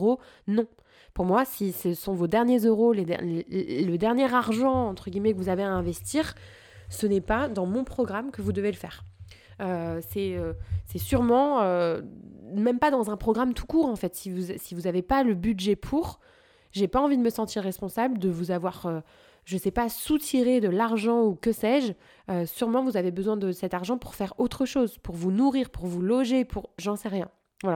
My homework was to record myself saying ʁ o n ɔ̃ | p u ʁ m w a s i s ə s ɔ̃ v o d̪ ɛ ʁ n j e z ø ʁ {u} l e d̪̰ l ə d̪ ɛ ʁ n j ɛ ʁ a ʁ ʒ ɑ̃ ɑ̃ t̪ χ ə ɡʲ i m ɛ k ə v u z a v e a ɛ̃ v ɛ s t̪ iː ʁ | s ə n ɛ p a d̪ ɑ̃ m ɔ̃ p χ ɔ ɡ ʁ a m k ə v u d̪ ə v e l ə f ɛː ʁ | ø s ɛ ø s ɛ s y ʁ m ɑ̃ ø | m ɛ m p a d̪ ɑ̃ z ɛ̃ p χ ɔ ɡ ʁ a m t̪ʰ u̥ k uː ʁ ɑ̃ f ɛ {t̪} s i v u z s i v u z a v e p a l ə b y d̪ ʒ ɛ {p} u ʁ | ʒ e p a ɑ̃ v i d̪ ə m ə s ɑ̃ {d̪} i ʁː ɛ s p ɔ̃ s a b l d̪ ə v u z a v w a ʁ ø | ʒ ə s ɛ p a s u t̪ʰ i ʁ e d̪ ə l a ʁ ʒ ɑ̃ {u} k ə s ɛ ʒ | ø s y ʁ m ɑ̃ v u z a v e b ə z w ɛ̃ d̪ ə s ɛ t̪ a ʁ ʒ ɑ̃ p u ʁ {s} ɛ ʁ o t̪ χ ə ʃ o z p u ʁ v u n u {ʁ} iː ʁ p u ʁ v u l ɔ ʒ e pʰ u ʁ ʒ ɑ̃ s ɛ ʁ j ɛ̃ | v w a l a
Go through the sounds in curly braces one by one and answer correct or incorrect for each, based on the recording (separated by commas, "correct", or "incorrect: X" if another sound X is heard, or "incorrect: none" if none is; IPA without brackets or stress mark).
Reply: incorrect: o, correct, incorrect: pʰ, incorrect: t̪, correct, incorrect: f, correct